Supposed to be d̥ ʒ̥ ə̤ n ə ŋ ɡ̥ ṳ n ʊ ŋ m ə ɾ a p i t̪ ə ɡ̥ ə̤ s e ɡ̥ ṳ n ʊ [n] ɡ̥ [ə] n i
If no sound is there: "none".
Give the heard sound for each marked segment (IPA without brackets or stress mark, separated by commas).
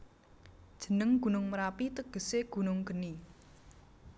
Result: ŋ, ə